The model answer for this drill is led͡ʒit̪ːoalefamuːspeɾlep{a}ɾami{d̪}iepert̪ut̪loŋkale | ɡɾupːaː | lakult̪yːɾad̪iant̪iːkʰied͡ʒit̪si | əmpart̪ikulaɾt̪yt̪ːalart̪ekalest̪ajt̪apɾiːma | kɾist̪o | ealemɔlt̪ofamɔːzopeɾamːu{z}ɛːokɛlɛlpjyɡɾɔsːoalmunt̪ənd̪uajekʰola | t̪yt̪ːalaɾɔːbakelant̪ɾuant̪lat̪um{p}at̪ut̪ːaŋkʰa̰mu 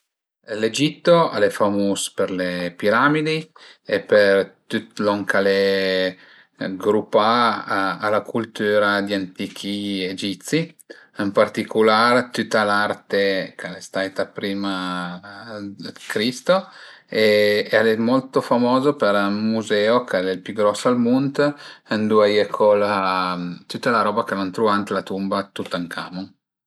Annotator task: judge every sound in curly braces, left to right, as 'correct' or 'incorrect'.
incorrect: i, correct, correct, incorrect: b

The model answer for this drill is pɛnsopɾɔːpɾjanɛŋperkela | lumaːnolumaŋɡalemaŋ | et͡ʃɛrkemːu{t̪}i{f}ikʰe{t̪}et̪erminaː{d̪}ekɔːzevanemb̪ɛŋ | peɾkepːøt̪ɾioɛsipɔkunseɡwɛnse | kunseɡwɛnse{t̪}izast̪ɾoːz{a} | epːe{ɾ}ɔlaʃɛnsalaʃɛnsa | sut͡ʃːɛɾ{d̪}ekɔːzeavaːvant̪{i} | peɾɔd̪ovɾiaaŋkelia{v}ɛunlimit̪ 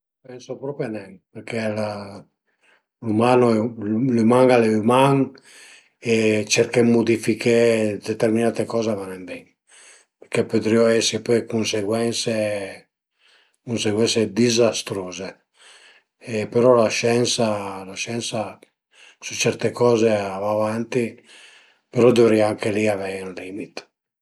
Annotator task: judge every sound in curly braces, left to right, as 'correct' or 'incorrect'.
incorrect: d̪, correct, incorrect: d̪, incorrect: t̪, incorrect: d̪, incorrect: e, correct, incorrect: t̪, correct, correct

